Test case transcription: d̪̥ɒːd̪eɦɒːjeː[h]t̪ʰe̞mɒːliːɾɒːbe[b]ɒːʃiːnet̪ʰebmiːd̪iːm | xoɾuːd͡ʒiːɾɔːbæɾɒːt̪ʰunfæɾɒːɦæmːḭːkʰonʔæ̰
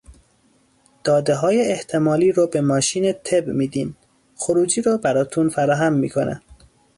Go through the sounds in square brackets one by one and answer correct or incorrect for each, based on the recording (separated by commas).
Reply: correct, incorrect